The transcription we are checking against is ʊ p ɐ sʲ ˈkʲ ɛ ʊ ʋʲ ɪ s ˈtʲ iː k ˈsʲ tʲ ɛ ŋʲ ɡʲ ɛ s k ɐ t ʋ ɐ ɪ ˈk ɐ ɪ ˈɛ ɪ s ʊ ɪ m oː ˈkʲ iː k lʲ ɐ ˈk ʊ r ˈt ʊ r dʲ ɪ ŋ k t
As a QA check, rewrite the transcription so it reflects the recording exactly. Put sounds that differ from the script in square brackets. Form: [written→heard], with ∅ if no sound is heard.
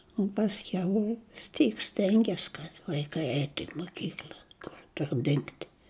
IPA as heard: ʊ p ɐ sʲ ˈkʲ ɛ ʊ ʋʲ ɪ s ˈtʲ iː k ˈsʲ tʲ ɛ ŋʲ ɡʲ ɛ s k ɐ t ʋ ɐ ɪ ˈk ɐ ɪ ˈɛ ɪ [s→t] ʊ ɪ m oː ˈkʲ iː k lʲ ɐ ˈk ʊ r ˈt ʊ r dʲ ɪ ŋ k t